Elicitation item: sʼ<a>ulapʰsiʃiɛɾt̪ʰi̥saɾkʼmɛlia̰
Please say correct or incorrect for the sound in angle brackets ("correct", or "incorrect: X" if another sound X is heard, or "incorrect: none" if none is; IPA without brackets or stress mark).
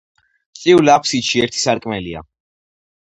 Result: incorrect: i